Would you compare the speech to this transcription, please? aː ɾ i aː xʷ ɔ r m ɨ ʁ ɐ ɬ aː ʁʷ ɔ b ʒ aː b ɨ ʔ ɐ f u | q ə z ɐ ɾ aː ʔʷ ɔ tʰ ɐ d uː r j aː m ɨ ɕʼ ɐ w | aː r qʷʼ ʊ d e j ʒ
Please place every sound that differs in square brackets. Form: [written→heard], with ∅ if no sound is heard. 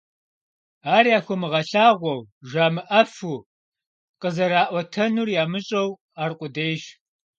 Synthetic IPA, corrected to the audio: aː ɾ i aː xʷ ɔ [r→∅] m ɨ ʁ ɐ ɬ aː ʁʷ ɔ [b→w] ʒ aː [b→m] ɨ ʔ ɐ f u | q ə z ɐ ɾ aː ʔʷ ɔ tʰ ɐ [d→n] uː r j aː m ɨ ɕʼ ɐ w | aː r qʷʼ ʊ d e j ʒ